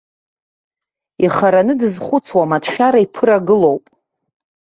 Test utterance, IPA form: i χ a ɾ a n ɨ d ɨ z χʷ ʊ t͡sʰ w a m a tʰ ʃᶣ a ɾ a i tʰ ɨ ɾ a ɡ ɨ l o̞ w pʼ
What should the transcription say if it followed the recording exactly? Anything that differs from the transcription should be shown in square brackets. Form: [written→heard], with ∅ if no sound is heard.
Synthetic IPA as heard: i χ a ɾ a n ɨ d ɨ z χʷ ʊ t͡sʰ w a m a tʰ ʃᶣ a ɾ a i [tʰ→pʰ] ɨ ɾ a ɡ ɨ l o̞ w pʼ